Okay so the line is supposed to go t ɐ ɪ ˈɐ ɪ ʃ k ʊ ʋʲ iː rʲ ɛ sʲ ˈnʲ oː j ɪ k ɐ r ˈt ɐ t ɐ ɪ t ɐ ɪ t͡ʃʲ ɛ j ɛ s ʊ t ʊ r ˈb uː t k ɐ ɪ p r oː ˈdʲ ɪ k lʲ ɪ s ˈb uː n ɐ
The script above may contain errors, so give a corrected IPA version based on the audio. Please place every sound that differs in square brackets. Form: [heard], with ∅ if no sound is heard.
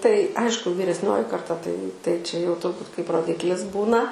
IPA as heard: t ɐ ɪ ˈɐ ɪ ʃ k ʊ ʋʲ iː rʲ ɛ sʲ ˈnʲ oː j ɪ k ɐ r ˈt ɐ t ɐ ɪ t ɐ ɪ t͡ʃʲ ɛ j ɛ [∅] ʊ t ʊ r ˈb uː t k ɐ ɪ p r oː ˈdʲ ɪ k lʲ ɪ s ˈb uː n ɐ